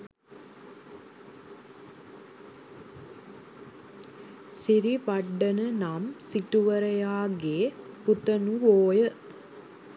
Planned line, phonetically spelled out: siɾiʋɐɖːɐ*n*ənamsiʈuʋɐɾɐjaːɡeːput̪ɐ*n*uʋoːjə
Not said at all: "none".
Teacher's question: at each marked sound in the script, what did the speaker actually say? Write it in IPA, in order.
n, n

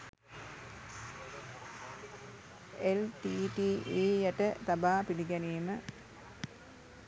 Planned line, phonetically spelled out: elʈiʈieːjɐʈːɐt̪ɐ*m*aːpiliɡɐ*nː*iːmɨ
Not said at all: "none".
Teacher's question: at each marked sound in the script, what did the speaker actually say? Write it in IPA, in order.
b, n

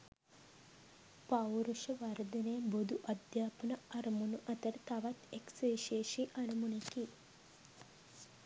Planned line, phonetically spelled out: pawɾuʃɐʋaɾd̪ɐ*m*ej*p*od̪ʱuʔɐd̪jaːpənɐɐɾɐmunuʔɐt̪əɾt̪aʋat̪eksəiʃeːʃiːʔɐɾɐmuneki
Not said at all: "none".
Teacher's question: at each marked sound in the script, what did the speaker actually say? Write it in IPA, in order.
n, b

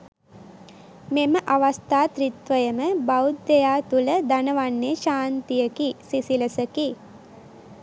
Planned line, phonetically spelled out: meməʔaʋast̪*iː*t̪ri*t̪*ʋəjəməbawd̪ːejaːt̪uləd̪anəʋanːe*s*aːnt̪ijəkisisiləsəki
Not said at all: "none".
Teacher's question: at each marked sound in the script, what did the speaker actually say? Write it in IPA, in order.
aː, t̪, ʃ

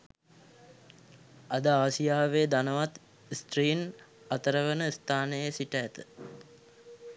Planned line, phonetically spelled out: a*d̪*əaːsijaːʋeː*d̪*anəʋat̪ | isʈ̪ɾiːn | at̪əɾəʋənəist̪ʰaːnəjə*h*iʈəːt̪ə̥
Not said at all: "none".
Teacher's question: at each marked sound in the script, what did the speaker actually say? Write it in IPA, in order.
d̪, d̪, s

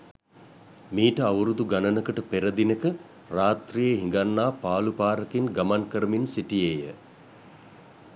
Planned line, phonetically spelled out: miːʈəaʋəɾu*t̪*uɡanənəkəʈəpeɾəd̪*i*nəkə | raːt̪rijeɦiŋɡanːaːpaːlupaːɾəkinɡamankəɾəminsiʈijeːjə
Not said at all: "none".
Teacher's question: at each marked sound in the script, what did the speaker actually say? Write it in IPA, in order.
d̪, i

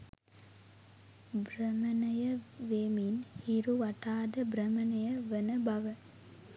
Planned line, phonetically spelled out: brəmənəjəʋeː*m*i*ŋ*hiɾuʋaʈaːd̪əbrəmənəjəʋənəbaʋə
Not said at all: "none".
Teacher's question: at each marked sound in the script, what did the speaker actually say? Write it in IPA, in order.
m, n

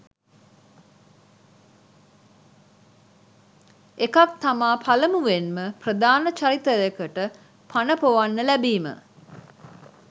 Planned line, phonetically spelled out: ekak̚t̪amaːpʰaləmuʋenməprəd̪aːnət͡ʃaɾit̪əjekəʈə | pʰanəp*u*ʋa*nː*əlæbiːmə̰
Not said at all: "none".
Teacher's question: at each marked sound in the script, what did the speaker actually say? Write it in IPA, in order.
o, nː

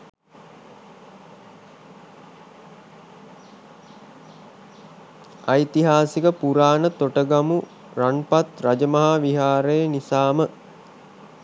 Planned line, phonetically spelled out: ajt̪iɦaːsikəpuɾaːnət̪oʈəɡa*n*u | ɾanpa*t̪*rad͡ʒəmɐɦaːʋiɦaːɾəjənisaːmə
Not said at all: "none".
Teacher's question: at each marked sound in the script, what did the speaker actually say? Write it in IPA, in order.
m, t̪

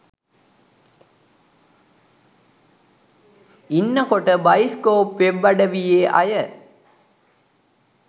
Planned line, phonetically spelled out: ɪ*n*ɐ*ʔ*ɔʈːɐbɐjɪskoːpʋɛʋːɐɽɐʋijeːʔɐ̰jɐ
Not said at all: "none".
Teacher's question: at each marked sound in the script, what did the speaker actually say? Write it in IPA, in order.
nː, k

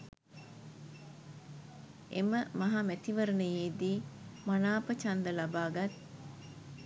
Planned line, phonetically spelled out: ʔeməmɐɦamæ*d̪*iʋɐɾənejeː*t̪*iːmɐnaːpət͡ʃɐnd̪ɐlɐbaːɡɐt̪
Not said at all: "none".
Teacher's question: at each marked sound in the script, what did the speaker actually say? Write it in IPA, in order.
t̪, d̪

